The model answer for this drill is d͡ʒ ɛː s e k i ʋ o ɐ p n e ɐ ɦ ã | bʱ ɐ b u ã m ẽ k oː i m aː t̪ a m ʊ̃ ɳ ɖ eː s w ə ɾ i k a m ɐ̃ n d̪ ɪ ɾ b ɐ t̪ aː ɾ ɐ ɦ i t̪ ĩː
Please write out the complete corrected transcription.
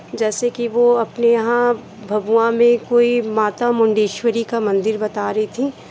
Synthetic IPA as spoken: d͡ʒ ɛː s e k i ʋ o ɐ p n e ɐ ɦ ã | bʱ ɐ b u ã m ẽ k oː i m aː t̪ a m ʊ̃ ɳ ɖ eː ʃ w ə ɾ i k a m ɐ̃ n d̪ ɪ ɾ b ɐ t̪ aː ɾ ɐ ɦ i t̪ʰ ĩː